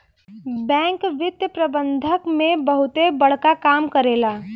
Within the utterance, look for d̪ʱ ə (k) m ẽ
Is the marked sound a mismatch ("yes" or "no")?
no